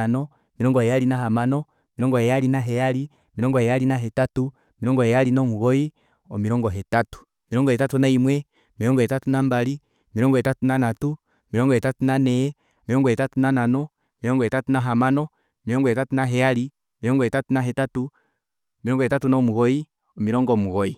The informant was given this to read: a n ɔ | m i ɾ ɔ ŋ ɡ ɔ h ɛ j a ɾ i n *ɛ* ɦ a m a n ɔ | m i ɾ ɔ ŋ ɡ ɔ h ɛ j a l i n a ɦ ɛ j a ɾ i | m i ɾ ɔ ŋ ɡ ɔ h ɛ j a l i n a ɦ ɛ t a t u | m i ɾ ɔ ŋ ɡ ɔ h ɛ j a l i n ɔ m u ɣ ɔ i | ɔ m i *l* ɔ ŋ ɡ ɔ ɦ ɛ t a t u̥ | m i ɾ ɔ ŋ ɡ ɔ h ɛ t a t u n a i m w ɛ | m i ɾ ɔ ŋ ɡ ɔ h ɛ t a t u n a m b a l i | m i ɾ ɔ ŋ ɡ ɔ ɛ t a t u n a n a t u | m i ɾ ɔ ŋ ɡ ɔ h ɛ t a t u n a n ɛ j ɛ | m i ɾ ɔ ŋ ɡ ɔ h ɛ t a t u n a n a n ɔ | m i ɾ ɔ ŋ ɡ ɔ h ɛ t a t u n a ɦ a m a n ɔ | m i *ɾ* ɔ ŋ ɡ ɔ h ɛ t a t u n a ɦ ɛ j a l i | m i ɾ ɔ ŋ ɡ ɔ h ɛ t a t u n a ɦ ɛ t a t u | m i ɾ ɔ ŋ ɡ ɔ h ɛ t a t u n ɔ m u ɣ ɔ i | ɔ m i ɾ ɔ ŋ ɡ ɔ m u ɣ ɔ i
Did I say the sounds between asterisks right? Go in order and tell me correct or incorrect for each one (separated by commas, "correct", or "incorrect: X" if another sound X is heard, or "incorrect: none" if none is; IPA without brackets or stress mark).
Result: incorrect: a, incorrect: ɾ, correct